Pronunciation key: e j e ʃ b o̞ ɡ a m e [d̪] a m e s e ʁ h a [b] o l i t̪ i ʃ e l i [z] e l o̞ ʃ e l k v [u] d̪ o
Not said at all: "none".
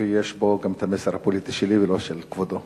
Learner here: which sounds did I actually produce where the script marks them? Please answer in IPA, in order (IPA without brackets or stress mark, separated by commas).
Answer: t̪, p, v, o